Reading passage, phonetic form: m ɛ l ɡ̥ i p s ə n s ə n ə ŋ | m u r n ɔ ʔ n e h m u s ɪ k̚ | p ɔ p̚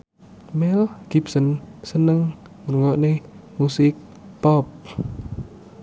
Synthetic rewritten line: m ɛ l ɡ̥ i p s ə n s ə n ə ŋ | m u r ŋ ɔ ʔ n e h m u s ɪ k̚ | p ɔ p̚